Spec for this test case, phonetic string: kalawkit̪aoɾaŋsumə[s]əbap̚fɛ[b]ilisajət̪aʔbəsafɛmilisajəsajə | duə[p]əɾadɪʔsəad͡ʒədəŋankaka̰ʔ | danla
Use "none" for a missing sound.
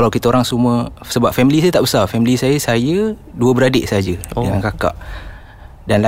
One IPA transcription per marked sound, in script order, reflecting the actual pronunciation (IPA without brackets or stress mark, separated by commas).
s, m, b